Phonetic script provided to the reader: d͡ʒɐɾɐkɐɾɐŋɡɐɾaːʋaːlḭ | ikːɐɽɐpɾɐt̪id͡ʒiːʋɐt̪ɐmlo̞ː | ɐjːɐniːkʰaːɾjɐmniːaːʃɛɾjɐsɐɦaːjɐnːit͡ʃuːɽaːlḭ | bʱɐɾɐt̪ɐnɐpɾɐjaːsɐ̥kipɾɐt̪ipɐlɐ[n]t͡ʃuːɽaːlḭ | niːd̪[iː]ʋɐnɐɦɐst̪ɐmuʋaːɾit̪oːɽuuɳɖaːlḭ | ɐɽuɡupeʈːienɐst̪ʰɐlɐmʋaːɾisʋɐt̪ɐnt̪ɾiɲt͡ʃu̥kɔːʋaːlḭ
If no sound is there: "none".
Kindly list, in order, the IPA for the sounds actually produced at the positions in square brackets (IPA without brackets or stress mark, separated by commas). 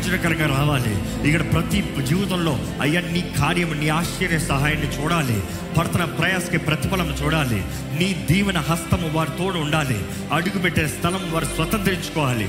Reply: m, iː